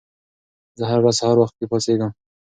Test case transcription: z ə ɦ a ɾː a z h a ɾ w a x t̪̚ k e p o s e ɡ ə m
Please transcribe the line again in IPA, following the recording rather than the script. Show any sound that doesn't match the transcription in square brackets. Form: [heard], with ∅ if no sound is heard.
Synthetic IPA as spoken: z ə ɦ a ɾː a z h a ɾ w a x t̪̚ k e p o s e ɡ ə m